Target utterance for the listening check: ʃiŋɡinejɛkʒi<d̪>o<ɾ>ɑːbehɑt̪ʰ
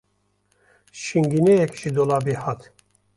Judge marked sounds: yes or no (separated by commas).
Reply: yes, no